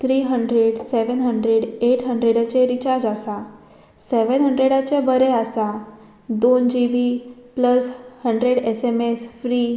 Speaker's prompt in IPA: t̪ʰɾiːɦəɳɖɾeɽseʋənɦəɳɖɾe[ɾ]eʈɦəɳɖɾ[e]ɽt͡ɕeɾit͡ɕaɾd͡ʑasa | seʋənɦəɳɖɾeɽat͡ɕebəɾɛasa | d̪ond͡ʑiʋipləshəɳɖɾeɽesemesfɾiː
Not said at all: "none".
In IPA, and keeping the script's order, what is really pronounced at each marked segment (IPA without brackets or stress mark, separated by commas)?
ɽ, e